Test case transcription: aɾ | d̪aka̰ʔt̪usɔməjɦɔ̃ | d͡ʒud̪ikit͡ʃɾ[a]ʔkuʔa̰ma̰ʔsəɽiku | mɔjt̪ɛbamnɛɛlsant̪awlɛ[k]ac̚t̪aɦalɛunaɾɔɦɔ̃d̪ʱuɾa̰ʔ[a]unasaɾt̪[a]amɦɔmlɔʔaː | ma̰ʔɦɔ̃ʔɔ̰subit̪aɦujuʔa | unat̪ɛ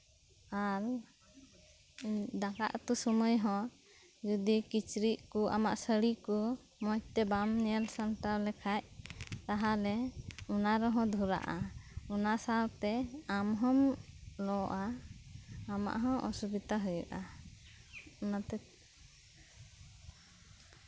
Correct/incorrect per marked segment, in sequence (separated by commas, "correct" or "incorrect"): incorrect, incorrect, correct, incorrect